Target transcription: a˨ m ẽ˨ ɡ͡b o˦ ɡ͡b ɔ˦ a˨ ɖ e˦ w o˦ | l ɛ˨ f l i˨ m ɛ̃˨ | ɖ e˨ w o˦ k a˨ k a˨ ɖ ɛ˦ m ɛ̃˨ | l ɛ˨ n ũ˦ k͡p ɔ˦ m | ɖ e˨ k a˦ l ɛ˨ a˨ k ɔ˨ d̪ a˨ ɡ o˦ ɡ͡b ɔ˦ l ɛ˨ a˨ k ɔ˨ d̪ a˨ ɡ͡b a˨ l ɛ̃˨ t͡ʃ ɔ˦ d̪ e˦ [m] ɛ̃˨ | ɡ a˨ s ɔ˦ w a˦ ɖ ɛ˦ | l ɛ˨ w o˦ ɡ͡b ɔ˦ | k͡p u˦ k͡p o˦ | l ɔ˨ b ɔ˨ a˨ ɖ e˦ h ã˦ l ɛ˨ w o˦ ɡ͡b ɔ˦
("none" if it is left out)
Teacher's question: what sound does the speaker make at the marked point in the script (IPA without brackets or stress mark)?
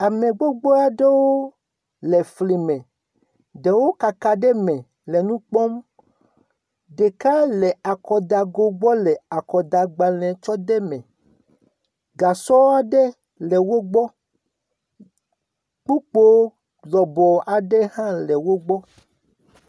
m